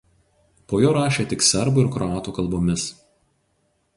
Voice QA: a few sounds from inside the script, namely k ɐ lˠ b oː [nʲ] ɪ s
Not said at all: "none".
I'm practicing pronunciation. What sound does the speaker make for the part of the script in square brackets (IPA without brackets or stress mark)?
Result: mʲ